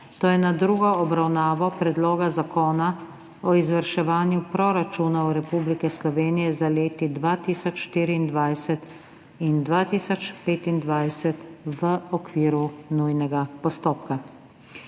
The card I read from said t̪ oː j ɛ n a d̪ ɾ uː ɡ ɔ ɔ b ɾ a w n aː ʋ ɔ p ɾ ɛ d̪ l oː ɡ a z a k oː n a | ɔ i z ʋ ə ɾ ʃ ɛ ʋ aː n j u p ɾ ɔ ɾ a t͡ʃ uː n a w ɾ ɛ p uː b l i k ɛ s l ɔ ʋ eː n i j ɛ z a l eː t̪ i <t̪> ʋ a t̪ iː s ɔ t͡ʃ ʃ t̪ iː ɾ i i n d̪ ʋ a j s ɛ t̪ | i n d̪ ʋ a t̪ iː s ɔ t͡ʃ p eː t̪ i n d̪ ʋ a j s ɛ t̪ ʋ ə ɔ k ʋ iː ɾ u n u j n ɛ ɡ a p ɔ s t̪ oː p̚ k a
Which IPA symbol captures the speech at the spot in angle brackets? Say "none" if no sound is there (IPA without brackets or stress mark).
d̪